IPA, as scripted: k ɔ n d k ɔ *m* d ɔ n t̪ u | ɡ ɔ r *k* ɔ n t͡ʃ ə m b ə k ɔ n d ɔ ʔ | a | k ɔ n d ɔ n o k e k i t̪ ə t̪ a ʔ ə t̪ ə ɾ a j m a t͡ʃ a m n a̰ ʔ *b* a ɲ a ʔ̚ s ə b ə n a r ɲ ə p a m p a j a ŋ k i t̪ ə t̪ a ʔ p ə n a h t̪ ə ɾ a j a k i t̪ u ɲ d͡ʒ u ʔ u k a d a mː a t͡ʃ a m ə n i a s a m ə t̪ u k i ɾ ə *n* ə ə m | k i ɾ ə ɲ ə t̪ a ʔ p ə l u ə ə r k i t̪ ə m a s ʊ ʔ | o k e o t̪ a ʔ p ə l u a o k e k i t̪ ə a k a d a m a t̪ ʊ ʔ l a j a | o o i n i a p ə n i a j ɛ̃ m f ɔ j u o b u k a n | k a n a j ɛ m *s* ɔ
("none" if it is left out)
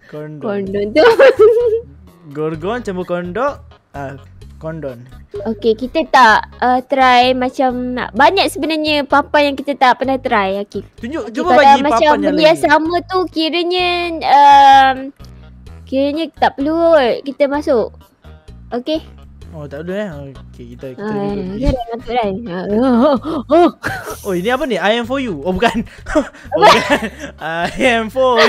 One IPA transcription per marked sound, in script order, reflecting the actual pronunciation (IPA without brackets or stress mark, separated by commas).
n, ɡ, b, ɲ, f